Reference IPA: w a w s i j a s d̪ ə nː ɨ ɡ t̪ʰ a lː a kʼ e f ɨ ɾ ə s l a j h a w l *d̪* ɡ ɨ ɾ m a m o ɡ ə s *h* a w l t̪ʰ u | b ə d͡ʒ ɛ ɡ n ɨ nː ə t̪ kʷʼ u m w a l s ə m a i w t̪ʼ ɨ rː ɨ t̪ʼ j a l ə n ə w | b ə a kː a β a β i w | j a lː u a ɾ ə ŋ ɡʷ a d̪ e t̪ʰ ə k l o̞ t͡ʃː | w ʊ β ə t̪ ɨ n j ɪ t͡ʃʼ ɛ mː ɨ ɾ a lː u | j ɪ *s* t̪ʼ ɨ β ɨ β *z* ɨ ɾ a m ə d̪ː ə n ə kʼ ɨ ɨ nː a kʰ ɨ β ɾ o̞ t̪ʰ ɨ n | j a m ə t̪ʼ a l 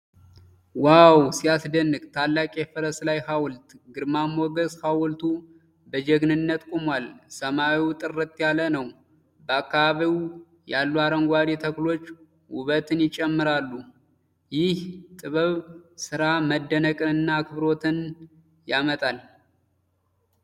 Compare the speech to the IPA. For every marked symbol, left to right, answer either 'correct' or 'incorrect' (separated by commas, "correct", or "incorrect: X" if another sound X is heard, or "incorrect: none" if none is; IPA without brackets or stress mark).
incorrect: t̪, correct, incorrect: h, incorrect: s